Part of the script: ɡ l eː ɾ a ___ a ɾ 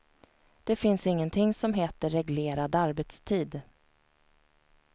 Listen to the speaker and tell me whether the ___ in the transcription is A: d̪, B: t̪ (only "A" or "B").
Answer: A